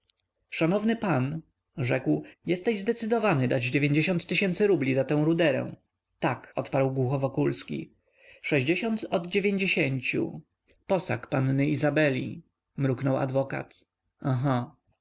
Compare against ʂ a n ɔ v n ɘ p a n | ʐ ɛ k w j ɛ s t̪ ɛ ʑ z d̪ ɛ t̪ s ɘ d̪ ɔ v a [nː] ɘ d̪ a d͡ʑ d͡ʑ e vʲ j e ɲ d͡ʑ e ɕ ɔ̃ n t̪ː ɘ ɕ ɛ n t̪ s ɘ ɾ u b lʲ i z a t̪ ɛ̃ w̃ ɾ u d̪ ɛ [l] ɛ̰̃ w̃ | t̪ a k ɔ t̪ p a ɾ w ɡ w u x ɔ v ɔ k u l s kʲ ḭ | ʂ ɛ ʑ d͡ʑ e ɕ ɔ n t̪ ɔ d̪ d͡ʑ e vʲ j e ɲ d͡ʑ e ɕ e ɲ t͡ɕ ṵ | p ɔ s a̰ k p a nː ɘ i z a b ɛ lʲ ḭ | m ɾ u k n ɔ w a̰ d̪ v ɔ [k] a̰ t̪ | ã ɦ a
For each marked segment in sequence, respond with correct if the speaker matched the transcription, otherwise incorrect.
incorrect: n, incorrect: ɾ, correct

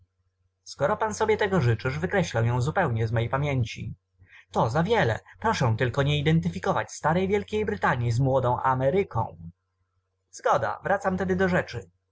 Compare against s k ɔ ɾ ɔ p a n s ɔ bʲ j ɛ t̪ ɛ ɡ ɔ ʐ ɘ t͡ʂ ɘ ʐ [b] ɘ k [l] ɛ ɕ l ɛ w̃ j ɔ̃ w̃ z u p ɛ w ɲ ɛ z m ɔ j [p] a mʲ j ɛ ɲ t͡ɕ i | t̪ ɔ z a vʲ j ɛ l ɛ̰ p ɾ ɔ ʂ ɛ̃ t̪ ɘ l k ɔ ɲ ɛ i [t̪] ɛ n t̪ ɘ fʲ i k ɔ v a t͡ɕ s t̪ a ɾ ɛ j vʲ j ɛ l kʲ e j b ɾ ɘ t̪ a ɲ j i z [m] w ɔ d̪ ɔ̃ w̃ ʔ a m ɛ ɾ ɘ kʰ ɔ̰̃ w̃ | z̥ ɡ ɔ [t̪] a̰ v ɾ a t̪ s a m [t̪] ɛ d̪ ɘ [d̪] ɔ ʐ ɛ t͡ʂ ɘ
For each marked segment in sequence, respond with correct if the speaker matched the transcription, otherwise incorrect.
incorrect: v, incorrect: ɾ, correct, incorrect: d̪, correct, incorrect: d̪, correct, correct

